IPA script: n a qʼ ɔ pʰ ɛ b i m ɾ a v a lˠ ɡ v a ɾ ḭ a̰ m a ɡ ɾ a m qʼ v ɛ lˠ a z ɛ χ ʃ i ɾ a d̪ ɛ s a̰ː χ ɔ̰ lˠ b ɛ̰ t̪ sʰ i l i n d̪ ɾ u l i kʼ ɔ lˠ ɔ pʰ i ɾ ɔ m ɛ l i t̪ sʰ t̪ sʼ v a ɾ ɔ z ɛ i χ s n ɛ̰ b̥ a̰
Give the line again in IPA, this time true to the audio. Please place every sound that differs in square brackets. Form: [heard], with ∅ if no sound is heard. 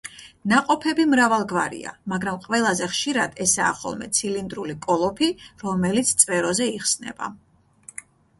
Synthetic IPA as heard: n a qʼ ɔ pʰ ɛ b i m ɾ a v a lˠ ɡ v a ɾ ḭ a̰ m a ɡ ɾ a m qʼ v ɛ lˠ a z ɛ χ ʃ i ɾ a d̪ ɛ s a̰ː χ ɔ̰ lˠ [m] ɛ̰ t̪ sʰ i l i n d̪ ɾ u l i kʼ ɔ lˠ ɔ pʰ i ɾ ɔ m ɛ l i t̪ sʰ t̪ sʼ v [ɛ] ɾ ɔ z ɛ i χ s n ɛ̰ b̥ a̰